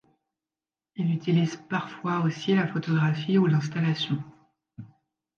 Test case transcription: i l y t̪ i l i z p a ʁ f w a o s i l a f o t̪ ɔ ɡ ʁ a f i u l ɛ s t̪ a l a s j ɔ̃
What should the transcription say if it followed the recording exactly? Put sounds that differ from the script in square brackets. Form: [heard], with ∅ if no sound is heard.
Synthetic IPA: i l y t̪ i l i z p a ʁ f w a o s i l a f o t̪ ɔ ɡ ʁ a f i u l [ɛ̃] s t̪ a l a s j ɔ̃